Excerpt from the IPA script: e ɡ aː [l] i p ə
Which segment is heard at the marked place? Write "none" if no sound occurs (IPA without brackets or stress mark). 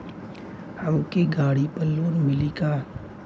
ɽ